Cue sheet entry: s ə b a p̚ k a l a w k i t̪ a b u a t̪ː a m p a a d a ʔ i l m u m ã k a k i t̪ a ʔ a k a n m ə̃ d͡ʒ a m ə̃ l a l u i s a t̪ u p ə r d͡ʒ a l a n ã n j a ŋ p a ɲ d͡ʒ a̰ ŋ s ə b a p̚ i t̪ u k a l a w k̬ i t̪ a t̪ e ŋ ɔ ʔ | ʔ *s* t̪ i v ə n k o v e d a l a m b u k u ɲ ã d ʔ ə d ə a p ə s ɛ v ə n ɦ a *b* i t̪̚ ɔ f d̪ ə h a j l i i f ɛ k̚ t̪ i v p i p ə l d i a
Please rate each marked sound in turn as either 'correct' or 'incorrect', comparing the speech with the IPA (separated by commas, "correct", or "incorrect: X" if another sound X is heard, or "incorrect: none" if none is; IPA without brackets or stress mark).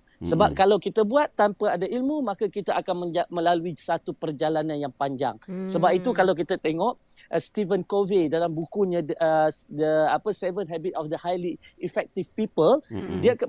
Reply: correct, correct